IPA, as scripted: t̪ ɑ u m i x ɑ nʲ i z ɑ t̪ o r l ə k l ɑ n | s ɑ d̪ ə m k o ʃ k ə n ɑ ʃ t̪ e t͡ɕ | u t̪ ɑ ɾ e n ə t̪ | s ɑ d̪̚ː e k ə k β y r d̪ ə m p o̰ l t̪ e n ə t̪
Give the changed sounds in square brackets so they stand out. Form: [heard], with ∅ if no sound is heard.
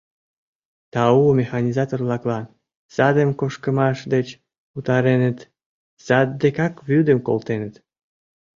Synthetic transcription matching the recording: t̪ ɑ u m [e] x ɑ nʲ i z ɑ t̪ o r l [ɑ] k l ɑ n | s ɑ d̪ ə m k o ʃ k ə [m] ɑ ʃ [d̪] e t͡ɕ | u t̪ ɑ ɾ e n ə t̪ | s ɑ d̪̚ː e k [ɑ] k β y [∅] d̪ ə m [k] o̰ l t̪ e n ə t̪